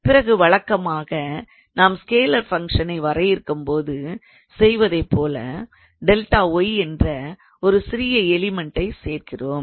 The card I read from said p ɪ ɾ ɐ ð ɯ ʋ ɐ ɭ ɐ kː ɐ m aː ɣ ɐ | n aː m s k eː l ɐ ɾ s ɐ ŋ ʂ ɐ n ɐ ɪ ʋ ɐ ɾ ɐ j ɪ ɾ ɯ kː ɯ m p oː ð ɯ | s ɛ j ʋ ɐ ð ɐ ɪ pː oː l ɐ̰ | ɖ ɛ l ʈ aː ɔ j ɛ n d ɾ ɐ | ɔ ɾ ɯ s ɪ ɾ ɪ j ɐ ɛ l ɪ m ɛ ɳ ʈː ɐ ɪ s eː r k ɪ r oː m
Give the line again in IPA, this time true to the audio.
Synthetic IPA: p ɪ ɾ ɐ ɣ ɯ ʋ ɐ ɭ ɐ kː ɐ m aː ɣ ɐ | n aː m s k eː l ɐ ɾ f ɐ ŋ ʂ ɐ n ɐ ɪ ʋ ɐ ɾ ɐ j ɪ ɾ ɯ kː ɯ m p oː ð ɯ | s ɛ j ʋ ɐ ð ɐ ɪ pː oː l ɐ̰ | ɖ ɛ l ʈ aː ɔ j ɛ n d r ɐ | ɔ ɾ ɯ s ɪ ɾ ɪ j ɐ ɛ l ɪ m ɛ ɳ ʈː ɐ ɪ s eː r k ɪ r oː m